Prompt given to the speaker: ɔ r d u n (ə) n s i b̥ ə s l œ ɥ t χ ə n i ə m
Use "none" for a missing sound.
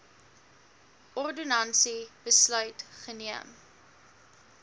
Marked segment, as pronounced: ɐ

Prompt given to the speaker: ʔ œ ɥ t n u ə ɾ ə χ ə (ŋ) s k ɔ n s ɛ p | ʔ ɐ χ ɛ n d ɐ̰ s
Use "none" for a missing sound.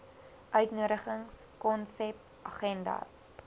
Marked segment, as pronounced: ŋ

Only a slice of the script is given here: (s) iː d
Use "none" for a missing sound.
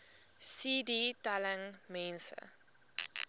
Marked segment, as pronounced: s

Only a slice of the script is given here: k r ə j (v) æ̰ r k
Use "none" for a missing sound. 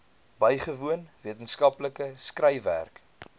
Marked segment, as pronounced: v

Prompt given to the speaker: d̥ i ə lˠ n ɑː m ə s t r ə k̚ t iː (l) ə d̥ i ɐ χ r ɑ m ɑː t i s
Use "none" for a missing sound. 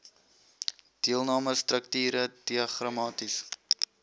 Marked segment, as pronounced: ɾ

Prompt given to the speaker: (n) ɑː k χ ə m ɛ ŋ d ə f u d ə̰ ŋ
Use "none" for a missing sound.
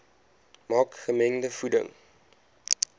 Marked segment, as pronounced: m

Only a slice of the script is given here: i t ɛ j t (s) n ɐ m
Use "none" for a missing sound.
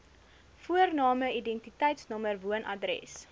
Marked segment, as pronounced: s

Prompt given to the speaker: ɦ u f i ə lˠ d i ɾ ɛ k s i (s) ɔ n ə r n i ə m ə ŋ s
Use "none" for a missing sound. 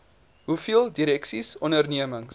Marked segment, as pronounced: s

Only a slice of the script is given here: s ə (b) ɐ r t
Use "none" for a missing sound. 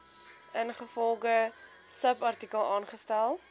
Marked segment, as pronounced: p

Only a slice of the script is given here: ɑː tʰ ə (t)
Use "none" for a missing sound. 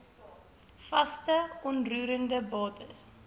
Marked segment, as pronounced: s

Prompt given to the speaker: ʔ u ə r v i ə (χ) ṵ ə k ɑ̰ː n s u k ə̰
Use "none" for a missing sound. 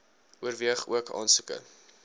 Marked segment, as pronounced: χ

